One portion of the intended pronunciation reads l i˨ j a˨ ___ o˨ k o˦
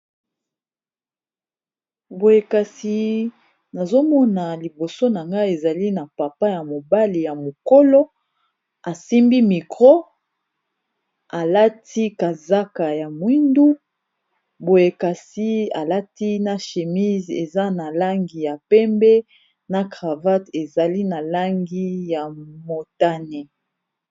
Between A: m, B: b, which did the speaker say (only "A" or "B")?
A